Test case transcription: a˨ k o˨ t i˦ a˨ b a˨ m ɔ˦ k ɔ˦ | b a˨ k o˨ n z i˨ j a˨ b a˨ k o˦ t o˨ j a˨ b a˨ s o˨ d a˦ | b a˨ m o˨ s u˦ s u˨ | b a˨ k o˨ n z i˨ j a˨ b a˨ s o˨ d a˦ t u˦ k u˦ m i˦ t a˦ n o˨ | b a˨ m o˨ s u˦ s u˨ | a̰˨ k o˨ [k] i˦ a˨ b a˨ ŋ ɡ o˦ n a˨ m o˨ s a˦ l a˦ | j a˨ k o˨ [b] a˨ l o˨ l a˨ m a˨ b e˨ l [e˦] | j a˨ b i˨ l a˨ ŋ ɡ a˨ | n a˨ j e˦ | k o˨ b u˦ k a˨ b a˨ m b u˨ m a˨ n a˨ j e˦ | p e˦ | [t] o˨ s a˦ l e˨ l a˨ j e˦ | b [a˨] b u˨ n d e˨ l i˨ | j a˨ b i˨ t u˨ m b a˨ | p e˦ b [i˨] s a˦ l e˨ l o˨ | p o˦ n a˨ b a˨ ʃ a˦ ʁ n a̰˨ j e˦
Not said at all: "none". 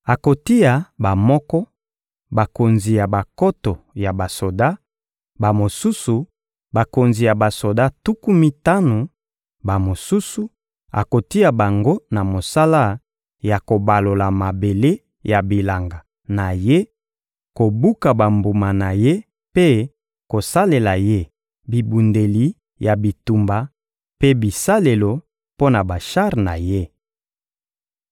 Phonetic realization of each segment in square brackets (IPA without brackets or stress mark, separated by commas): t, b, e˦, k, i˨, i˨